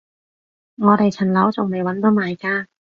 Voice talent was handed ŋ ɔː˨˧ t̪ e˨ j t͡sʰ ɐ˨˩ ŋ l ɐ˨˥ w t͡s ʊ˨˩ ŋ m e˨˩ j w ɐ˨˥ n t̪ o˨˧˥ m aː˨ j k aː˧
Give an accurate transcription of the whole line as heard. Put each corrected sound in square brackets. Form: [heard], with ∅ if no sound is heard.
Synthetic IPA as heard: ŋ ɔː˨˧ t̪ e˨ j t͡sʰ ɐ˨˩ [n] l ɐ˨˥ w t͡s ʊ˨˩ ŋ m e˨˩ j w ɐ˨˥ n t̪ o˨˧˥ m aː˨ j k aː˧